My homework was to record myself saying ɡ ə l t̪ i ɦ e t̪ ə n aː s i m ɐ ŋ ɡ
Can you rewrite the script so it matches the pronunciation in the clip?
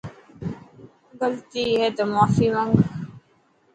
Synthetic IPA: ɡ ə l t̪ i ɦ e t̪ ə m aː f i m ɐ ŋ ɡ